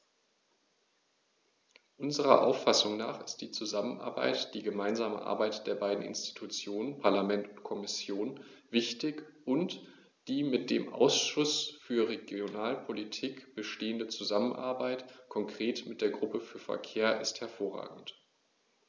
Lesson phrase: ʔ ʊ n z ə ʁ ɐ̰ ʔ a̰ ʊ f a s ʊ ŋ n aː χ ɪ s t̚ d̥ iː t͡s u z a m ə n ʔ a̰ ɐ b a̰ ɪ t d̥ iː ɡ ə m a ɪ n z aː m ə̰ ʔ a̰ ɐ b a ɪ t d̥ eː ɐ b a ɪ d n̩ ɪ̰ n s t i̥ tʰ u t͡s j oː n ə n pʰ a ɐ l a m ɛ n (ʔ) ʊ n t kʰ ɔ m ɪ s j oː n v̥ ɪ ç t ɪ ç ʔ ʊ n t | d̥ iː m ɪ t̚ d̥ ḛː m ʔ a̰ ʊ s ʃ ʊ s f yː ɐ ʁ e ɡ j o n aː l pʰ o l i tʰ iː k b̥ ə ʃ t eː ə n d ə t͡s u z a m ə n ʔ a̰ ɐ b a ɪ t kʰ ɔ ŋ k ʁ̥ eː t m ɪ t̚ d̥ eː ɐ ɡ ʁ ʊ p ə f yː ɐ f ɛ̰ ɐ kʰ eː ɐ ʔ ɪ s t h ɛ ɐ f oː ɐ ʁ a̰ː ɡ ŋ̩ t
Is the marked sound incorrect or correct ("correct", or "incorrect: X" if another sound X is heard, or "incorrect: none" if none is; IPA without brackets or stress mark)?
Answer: incorrect: t